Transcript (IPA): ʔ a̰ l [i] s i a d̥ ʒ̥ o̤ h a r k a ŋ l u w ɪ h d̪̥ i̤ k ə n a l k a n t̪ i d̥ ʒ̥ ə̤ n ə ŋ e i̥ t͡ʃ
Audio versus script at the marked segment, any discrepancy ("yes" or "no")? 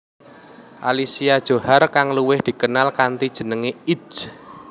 no